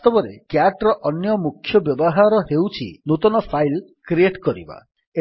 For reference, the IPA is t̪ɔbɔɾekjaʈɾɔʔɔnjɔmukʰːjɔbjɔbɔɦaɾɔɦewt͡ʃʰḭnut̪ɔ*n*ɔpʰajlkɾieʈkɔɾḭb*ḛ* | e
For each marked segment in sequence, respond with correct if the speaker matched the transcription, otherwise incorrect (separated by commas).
correct, incorrect